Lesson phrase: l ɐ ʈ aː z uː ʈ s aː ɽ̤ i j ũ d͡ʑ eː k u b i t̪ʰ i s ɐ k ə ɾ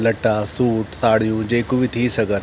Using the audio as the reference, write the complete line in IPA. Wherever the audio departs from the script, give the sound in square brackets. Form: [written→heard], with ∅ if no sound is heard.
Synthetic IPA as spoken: l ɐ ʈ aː [z→s] uː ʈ s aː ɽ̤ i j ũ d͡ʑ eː k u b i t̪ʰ i s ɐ [k→ɡ] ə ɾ